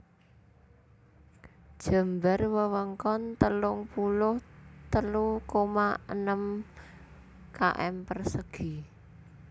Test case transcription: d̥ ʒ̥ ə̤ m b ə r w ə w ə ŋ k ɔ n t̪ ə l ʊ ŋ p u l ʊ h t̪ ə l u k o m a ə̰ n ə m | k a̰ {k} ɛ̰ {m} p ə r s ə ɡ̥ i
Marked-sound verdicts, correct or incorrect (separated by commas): incorrect, correct